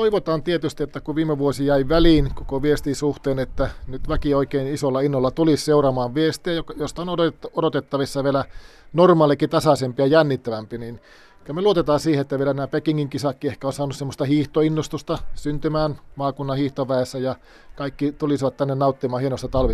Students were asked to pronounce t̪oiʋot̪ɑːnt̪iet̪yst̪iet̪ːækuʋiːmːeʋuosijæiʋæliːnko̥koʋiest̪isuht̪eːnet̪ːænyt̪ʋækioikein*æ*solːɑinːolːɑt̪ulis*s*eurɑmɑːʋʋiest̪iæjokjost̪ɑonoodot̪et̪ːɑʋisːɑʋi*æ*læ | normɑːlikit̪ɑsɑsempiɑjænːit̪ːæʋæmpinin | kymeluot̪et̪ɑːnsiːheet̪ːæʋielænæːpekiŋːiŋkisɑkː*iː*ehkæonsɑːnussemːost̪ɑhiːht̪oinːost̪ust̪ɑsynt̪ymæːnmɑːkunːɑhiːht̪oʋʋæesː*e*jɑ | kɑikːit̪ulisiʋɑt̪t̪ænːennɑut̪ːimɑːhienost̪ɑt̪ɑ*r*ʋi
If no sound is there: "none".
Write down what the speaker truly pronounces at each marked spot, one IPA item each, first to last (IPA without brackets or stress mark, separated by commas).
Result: i, s, e, i, æ, l